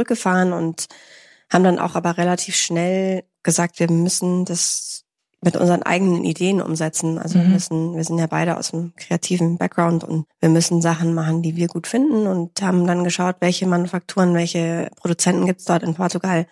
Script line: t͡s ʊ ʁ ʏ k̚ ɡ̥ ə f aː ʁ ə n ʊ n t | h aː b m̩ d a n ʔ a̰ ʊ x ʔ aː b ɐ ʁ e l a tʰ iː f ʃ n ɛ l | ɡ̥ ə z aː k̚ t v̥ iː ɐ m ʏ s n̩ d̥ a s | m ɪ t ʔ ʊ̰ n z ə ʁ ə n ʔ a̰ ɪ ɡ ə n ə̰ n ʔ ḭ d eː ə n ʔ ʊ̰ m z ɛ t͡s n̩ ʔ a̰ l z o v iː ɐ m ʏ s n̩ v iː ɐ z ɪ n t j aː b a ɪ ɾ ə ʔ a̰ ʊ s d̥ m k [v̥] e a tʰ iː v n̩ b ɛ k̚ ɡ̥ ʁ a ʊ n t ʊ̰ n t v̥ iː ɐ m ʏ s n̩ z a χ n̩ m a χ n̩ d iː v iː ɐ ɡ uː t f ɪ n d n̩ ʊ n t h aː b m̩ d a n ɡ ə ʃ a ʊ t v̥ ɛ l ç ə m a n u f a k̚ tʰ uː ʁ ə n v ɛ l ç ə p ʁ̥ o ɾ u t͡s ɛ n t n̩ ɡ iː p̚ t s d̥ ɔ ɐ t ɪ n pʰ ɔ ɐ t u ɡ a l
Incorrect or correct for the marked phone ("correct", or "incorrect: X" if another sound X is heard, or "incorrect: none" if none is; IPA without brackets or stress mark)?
incorrect: ʁ̥